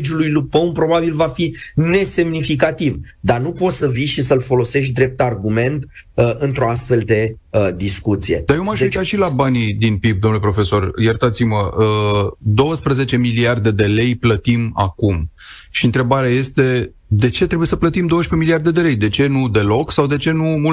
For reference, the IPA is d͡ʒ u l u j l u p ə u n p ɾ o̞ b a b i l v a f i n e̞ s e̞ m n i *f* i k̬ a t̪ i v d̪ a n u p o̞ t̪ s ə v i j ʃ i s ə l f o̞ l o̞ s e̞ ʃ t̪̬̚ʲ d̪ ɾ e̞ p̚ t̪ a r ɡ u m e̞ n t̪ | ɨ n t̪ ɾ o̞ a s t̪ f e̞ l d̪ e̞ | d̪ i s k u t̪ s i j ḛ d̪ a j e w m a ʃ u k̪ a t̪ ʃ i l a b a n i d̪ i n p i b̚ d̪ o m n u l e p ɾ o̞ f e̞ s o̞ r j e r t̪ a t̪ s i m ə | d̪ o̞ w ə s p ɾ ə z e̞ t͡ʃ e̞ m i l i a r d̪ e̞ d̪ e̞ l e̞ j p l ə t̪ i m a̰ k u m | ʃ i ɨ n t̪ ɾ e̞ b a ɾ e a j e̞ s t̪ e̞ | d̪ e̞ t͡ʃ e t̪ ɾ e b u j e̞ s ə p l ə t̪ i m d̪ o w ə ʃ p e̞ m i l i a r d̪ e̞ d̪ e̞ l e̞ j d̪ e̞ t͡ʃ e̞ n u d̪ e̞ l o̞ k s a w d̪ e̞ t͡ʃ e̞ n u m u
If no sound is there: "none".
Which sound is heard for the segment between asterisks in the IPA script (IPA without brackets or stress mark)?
f